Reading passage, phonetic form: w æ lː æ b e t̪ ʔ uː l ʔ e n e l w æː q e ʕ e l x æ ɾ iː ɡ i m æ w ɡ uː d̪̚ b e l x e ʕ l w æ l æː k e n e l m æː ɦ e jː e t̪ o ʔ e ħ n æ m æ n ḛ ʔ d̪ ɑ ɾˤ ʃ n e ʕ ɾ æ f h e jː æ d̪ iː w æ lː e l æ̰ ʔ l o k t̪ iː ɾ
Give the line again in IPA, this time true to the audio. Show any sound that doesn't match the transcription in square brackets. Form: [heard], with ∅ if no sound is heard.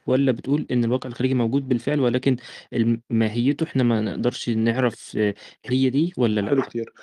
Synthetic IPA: w æ lː æ b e t̪ ʔ uː l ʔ e [nː] e l w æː q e ʕ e l x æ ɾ iː ɡ i m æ w ɡ uː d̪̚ b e l [f] e ʕ l w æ l æː k e n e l m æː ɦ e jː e t̪ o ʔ e ħ n æ m æ n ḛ ʔ d̪ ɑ ɾˤ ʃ n e ʕ ɾ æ f h e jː æ d̪ iː w æ lː [æ] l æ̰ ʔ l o k t̪ iː ɾ